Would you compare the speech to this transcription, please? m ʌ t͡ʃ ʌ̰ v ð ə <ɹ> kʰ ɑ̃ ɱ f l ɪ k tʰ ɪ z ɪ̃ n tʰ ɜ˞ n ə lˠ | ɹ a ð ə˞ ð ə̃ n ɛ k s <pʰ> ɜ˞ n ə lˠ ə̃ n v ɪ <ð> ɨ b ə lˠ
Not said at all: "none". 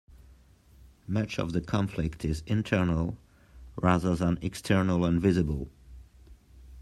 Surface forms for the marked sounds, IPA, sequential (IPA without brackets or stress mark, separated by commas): none, tʰ, z